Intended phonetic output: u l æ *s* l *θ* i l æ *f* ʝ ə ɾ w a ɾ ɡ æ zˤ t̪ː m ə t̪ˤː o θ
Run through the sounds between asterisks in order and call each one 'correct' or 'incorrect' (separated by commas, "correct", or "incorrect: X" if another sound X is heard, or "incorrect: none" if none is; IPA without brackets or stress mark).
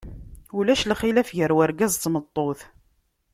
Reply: incorrect: ʃ, incorrect: χ, correct